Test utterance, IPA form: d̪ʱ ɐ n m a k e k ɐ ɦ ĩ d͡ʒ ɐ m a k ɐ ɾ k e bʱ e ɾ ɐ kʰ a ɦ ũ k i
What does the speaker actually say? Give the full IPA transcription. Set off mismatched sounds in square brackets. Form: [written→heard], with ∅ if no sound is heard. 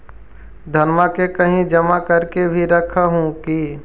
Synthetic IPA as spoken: d̪ʱ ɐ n m a k e k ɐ ɦ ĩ d͡ʒ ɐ m a k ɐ ɾ k e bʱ [e→i] ɾ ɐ kʰ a ɦ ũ k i